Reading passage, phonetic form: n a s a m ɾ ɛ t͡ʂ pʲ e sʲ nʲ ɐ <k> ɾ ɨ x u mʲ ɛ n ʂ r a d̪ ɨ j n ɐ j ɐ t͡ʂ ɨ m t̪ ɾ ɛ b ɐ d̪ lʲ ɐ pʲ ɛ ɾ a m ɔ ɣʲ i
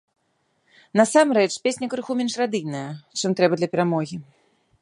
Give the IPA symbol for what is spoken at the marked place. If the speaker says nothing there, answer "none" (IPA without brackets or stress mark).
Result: k